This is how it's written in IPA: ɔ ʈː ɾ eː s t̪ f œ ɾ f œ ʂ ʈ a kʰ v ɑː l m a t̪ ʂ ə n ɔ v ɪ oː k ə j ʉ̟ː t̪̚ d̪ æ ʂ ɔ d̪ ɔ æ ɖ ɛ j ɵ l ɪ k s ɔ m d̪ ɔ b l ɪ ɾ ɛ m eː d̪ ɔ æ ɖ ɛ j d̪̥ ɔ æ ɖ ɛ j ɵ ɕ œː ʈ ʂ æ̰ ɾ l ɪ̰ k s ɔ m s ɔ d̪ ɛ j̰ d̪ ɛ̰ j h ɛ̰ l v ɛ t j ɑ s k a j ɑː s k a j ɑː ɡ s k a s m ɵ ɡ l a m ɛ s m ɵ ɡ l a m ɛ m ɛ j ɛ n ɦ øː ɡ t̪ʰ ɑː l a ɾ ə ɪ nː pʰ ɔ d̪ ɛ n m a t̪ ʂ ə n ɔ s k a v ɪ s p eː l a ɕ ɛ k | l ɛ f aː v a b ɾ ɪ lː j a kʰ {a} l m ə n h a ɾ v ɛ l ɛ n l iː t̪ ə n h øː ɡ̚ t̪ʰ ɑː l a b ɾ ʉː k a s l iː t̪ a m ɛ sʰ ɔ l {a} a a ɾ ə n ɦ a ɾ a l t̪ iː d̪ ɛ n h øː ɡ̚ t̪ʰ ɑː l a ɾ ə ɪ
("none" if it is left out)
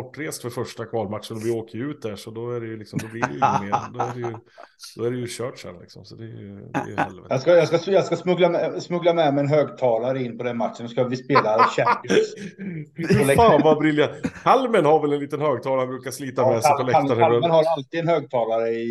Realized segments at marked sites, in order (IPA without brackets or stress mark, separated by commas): a, ɛ